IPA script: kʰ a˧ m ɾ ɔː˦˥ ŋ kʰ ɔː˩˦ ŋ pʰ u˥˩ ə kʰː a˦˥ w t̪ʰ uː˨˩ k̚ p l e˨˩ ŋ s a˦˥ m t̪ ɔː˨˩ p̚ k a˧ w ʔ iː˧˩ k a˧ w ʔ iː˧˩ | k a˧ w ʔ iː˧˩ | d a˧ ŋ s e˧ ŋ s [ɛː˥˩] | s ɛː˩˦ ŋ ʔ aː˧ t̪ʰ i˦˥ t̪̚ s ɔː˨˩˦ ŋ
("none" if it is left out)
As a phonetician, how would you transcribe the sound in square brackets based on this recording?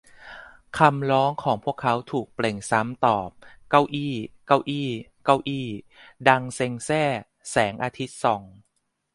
ɛː˥˩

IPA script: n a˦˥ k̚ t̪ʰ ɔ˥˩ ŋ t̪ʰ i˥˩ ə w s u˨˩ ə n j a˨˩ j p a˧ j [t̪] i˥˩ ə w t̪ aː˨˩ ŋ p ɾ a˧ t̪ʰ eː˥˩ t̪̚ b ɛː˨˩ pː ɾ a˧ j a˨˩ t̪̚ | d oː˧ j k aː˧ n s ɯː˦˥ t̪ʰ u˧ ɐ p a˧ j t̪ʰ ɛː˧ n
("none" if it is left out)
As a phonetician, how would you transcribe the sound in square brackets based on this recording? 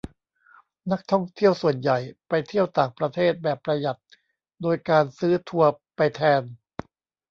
t̪ʰ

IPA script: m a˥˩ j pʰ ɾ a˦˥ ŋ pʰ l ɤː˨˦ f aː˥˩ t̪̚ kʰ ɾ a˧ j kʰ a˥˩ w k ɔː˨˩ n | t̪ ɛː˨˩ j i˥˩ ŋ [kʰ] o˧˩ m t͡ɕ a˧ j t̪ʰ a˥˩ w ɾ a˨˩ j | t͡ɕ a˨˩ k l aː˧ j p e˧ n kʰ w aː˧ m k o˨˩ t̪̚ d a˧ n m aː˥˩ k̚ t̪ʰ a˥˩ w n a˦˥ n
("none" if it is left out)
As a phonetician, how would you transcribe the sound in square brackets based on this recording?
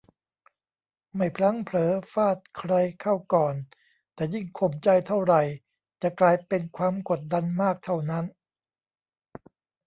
kʰ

